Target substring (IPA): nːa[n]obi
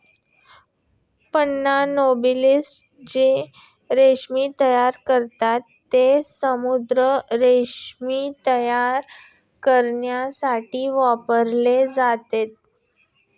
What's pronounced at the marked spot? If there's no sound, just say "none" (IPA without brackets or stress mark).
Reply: n